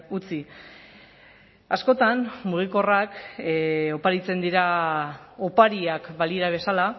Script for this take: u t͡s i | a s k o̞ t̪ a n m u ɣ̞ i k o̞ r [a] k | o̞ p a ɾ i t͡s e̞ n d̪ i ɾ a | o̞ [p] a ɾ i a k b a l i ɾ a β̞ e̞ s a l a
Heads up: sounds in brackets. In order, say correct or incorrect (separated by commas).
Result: correct, correct